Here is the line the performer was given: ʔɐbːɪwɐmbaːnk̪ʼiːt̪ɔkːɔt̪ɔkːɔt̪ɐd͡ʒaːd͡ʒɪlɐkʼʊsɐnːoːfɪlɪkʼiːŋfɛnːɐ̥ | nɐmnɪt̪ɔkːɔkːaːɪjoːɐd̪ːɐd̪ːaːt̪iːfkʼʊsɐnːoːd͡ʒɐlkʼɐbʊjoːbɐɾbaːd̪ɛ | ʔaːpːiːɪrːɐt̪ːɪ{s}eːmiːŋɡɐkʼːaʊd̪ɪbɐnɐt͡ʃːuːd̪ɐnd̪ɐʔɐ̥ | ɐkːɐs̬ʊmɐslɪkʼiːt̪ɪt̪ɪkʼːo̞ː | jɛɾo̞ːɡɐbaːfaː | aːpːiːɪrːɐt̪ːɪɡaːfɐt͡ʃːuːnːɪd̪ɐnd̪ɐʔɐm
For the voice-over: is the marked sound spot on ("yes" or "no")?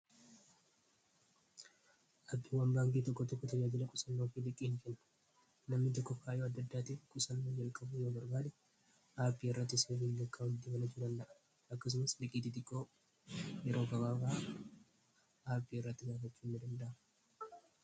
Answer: yes